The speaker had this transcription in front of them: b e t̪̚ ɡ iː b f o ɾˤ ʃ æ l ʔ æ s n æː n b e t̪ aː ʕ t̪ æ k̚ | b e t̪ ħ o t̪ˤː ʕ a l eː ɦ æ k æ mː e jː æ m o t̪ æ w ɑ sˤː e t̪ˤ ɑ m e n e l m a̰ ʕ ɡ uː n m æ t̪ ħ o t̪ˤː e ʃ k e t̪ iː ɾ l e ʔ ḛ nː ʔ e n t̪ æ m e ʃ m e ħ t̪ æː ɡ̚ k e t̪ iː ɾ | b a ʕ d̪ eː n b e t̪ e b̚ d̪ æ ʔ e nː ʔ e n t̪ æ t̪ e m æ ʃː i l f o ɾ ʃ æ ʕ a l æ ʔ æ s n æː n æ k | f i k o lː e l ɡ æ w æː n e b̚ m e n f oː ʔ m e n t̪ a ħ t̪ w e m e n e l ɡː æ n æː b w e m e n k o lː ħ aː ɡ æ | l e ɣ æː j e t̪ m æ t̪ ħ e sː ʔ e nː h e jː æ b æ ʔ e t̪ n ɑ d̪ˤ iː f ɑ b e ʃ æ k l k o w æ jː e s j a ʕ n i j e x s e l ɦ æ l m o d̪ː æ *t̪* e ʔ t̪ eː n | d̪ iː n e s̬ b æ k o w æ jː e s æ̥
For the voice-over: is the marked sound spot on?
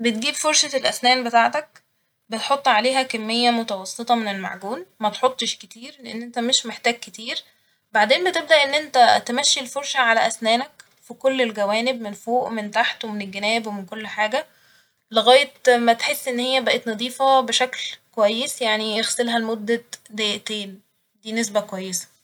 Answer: no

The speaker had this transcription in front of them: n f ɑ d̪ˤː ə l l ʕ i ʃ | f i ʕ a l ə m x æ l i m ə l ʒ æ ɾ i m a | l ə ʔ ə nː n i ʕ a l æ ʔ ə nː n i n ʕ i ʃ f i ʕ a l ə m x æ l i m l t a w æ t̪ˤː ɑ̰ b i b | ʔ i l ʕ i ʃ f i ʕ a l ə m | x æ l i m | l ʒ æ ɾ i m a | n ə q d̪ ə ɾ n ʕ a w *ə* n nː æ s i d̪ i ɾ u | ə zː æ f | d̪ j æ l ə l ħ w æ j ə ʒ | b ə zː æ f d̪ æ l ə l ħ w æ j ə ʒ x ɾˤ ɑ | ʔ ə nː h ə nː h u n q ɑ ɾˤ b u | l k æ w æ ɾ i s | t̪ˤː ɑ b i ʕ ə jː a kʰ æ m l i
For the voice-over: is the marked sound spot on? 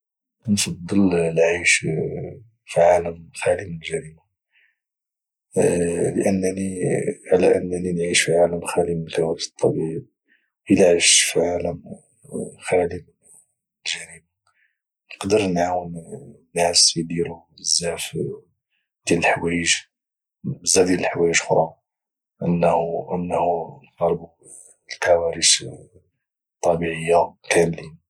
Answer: yes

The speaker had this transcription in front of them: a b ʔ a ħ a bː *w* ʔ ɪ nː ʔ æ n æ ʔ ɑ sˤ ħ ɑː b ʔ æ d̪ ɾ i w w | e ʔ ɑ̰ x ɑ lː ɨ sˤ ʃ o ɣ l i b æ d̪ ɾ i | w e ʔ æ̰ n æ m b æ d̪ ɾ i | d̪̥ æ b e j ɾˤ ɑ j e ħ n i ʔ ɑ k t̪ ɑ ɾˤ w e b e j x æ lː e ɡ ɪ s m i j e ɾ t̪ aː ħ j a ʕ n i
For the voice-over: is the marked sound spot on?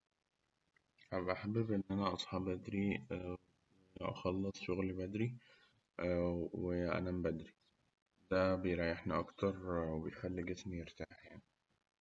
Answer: no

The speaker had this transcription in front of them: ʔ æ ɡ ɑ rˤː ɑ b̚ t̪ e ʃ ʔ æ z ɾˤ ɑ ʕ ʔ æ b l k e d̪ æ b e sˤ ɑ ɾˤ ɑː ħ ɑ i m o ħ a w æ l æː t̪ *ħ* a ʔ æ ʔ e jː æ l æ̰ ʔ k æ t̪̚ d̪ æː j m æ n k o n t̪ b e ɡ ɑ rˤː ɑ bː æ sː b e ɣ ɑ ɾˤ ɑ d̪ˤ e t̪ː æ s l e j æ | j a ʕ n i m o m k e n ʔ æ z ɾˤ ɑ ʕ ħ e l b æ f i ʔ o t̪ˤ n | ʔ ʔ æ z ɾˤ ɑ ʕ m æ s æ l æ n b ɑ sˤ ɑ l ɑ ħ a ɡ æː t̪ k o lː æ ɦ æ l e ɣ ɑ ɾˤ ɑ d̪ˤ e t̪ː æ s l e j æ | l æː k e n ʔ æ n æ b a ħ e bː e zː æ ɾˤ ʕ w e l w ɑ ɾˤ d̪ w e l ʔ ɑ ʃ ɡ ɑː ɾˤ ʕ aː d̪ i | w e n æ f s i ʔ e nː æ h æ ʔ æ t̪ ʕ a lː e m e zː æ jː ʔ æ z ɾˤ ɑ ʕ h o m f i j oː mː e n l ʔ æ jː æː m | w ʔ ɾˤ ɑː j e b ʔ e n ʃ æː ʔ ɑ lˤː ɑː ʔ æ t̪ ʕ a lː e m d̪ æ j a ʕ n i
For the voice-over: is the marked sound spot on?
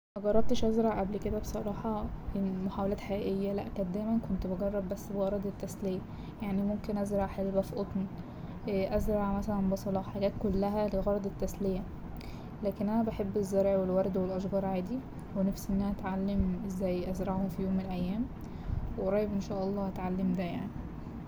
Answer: yes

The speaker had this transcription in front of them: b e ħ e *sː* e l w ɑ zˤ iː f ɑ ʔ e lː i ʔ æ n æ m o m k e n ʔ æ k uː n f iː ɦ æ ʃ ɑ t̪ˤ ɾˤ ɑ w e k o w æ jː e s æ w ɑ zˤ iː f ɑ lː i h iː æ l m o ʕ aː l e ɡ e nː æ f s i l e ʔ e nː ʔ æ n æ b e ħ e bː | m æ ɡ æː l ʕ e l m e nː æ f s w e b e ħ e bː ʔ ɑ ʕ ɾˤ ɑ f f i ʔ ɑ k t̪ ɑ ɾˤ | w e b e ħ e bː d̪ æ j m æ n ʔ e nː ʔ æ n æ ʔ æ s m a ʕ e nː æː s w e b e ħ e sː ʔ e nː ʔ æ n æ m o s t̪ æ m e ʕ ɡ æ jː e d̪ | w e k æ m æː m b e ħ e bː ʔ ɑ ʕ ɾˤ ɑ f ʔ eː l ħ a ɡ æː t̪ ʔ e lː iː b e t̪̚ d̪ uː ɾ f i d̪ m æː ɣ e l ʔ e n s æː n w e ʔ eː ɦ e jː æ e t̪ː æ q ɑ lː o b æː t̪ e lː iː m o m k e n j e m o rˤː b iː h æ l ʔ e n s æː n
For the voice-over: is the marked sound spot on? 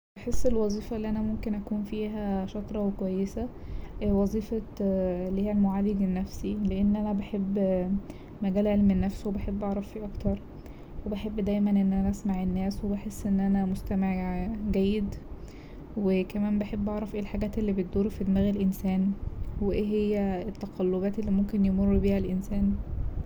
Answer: yes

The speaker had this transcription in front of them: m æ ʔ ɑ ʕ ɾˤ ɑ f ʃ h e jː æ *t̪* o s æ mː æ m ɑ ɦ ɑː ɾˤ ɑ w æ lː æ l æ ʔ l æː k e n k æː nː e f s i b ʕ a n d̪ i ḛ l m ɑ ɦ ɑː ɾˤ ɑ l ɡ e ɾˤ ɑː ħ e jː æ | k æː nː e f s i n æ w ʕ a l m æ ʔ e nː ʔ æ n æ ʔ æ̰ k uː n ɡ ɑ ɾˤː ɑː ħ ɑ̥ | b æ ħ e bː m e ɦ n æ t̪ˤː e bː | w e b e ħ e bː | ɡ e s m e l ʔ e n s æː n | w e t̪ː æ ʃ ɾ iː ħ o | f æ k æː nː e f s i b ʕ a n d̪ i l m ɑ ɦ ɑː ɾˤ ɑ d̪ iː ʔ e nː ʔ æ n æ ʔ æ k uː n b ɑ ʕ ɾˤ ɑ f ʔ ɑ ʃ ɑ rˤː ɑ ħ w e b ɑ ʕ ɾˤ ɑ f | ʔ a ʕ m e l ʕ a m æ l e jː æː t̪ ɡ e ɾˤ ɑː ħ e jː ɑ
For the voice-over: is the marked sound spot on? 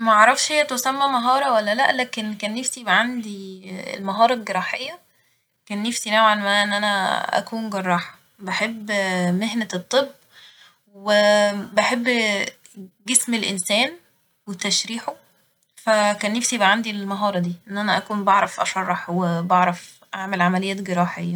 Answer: yes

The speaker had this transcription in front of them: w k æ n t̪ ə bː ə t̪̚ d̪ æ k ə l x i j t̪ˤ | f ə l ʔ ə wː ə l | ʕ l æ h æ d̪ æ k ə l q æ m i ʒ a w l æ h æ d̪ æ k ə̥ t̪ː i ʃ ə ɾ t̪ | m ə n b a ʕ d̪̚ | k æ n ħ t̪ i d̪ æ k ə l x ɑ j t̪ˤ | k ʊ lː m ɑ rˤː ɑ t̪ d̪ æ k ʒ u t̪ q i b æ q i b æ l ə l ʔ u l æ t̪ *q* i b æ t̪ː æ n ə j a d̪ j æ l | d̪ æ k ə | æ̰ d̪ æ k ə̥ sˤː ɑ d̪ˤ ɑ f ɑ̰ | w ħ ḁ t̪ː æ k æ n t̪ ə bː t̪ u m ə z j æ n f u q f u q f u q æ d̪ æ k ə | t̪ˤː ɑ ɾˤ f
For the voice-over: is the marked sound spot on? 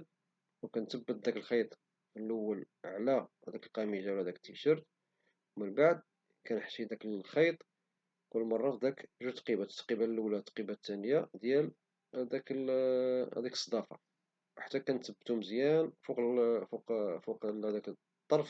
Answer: yes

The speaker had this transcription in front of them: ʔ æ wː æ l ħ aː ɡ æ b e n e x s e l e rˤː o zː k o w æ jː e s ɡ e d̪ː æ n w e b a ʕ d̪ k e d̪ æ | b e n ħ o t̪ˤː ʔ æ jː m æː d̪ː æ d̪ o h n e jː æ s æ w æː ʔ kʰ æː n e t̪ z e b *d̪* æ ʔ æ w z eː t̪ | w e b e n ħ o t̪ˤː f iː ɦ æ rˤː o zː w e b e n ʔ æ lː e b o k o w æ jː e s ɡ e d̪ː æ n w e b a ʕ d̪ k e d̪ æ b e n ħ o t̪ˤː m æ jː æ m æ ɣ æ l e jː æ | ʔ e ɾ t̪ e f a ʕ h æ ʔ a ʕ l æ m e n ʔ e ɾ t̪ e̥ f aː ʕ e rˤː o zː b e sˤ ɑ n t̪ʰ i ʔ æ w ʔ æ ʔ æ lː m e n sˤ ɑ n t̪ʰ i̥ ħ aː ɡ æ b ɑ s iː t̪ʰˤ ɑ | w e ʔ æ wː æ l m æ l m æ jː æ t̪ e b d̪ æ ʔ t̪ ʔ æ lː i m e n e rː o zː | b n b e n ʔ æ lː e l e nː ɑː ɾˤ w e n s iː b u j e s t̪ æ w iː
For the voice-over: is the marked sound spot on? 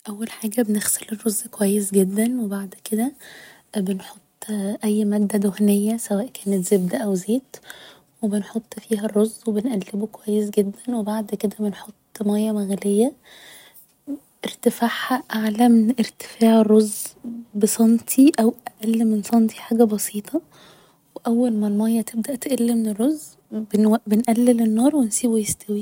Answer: yes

